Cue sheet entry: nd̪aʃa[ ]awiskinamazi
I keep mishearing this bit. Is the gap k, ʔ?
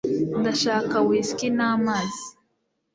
k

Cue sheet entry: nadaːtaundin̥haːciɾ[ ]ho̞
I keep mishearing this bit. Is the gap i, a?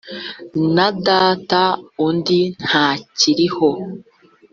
i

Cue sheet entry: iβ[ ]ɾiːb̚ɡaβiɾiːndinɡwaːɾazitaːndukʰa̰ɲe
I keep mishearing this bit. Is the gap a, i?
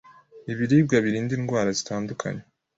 i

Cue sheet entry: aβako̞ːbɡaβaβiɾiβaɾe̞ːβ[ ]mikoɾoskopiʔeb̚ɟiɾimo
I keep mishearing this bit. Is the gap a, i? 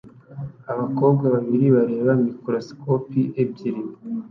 a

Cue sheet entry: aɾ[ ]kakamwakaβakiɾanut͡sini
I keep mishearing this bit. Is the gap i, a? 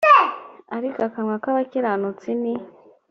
i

